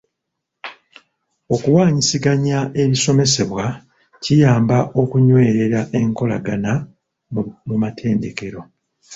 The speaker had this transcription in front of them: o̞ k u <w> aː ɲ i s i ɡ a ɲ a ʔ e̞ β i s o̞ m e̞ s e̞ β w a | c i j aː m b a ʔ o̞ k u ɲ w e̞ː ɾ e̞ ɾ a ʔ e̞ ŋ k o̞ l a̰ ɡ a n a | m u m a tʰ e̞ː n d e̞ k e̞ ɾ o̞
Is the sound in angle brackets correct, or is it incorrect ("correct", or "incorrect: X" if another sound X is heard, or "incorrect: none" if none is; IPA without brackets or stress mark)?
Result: correct